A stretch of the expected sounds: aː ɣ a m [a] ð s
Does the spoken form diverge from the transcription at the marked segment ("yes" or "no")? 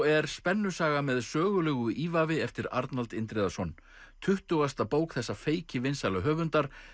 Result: yes